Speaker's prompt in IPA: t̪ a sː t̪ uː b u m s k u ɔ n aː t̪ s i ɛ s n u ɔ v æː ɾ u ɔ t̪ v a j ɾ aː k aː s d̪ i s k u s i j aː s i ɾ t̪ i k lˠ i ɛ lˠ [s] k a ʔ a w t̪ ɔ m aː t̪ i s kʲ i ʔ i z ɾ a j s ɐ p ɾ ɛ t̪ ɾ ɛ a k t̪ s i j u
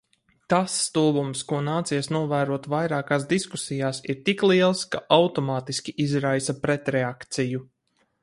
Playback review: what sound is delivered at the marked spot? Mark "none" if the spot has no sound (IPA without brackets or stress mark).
s